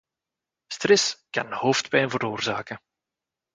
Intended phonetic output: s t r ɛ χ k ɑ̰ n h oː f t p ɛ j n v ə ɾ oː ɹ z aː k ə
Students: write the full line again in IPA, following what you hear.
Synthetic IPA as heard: s t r ɛ s k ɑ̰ n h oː f t p ɛ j n v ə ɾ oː r z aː k ə